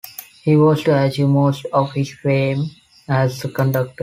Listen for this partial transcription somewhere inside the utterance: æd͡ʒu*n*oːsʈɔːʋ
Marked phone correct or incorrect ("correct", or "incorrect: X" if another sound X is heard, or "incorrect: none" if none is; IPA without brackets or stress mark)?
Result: incorrect: m